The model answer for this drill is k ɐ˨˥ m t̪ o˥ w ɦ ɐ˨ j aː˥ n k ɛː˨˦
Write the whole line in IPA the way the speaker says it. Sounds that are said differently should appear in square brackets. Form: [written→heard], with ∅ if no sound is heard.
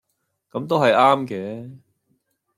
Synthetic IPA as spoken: k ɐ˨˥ m t̪ o˥ w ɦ ɐ˨ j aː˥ [n→m] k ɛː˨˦